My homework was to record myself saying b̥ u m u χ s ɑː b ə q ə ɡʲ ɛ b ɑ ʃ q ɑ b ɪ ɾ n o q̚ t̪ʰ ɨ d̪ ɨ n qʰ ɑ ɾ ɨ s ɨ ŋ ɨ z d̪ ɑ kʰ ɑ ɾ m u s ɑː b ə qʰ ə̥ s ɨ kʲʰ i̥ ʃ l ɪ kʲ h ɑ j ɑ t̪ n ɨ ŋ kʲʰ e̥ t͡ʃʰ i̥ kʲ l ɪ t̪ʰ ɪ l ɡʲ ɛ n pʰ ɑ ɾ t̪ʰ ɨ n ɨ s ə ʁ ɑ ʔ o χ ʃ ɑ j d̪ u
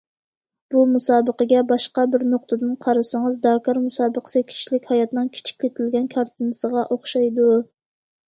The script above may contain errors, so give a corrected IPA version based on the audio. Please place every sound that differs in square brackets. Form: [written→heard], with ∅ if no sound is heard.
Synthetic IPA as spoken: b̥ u m u [χ→∅] s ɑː b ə q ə ɡʲ ɛ b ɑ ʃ q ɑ b ɪ ɾ n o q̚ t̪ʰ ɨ d̪ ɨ n qʰ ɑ ɾ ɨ s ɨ ŋ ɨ z d̪ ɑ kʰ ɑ ɾ m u s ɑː b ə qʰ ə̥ s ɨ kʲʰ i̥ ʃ l ɪ kʲ h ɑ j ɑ t̪ n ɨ ŋ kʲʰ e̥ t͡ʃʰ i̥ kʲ l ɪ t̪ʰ ɪ l ɡʲ ɛ n [pʰ→kʰ] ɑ ɾ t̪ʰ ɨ n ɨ s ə ʁ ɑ ʔ o χ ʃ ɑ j d̪ u